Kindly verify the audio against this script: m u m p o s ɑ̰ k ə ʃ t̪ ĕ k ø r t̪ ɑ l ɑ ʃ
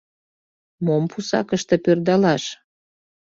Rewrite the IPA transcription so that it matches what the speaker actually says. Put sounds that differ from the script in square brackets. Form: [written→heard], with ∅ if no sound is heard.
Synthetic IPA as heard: m [u→o] m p [o→u] s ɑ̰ k ə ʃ t̪ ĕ [k→p] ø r [t̪→d̪] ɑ l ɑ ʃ

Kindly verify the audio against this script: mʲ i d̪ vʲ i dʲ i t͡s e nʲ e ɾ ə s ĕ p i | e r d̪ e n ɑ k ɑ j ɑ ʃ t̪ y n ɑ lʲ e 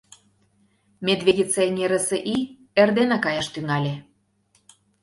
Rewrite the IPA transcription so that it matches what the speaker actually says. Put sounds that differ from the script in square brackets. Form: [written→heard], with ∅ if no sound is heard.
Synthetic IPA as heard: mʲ [i→e] d̪ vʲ [i→e] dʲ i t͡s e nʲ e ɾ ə s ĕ [p→ʔ] i | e r d̪ e n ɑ k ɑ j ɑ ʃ t̪ y [n→ŋ] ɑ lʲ e

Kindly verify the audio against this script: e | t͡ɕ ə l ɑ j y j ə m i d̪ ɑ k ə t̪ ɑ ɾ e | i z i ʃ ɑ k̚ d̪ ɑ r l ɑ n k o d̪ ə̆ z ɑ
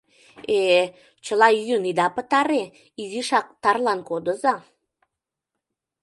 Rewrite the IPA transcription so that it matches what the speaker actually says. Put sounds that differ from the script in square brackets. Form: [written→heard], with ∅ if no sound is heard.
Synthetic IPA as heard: e | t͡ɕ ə l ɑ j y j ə [m→n] i d̪ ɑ [k→p] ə t̪ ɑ ɾ e | i z i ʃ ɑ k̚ [d̪→t̪] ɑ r l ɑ n k o d̪ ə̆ z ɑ

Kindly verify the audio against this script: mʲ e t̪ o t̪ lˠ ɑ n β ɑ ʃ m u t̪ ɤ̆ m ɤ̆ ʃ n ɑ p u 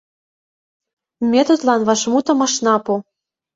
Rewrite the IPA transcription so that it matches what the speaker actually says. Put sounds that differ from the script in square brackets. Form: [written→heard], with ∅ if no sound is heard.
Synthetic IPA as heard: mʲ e t̪ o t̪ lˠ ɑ n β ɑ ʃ m u t̪ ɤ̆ m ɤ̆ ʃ n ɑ p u

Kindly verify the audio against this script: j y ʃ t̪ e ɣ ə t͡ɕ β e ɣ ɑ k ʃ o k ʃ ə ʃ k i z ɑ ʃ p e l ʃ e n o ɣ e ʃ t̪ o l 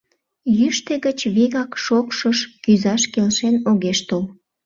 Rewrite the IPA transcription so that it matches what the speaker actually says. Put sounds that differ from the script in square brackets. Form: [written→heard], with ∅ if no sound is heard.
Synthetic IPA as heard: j y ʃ t̪ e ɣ ə t͡ɕ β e ɣ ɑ k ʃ o k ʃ ə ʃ k [i→y] z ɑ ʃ [p→k] e l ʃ e n o ɣ e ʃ t̪ o l

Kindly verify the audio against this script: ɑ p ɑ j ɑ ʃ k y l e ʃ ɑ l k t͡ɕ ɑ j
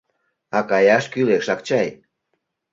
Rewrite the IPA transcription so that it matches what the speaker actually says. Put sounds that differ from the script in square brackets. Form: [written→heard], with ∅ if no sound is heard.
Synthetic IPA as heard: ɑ [p→k] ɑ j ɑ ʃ k y l e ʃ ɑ [l→∅] k t͡ɕ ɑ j

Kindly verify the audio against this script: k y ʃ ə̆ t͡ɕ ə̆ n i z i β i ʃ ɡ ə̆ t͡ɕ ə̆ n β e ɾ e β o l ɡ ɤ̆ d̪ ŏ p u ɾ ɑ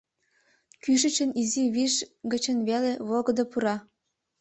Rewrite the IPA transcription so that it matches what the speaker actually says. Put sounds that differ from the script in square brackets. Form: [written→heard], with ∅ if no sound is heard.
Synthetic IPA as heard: k y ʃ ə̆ t͡ɕ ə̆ n i z i β i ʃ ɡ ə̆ t͡ɕ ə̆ n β e [ɾ→l] e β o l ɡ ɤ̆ d̪ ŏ p u ɾ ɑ

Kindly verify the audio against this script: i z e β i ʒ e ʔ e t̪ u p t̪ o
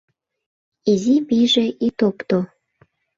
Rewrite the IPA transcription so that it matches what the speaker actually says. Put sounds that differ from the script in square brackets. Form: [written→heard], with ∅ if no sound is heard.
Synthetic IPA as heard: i z [e→i] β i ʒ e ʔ [e→i] t̪ [u→o] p t̪ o

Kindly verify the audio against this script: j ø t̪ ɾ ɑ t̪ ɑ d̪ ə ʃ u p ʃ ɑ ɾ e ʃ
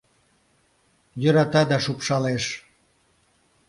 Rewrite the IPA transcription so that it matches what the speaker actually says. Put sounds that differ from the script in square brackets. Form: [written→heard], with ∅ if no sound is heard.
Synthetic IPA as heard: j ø [t̪→∅] ɾ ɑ t̪ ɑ d̪ [ə→ɑ] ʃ u p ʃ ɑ [ɾ→l] e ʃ

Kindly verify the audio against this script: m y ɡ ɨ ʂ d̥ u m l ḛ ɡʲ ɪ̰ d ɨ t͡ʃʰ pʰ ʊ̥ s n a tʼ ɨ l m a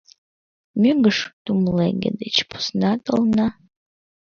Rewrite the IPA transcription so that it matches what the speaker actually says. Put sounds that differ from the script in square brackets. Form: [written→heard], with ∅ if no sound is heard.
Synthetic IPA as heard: m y ɡ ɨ ʂ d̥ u m l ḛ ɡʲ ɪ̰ d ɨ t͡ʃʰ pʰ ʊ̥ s n a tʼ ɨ l [m→n] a

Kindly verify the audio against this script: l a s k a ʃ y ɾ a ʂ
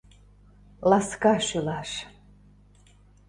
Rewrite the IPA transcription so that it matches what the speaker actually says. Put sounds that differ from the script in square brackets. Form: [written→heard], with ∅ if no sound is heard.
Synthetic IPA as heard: l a s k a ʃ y [ɾ→l] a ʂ

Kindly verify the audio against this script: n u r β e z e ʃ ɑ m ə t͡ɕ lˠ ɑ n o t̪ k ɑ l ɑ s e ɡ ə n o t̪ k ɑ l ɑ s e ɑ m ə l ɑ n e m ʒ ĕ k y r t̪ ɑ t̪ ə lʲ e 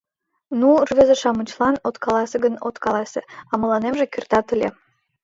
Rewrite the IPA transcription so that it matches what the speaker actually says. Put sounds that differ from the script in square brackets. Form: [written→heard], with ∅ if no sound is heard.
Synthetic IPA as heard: n u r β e z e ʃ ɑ m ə t͡ɕ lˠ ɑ n o t̪ k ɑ l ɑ s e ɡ ə n o t̪ k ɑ l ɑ s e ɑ m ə l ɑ n e m ʒ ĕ k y r t̪ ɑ t̪ ə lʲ e

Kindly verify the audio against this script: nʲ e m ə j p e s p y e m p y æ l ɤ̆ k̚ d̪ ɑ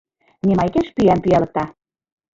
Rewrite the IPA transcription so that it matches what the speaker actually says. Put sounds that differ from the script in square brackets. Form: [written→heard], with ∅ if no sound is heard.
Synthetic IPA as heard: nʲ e m [ə→ɑ] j [p→k] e [s→ʃ] p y [e→æ] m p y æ l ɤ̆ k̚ [d̪→t̪] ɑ

